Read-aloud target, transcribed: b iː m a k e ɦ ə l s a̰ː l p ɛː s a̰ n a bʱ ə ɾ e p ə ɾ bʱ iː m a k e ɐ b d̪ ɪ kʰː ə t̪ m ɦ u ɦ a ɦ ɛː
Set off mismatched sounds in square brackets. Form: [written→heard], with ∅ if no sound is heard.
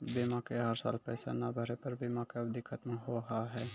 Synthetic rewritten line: b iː m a k e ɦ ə [l→ɾ] s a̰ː l p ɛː s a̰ n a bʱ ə ɾ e p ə ɾ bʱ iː m a k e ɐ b d̪ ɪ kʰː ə t̪ m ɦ [u→o] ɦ a ɦ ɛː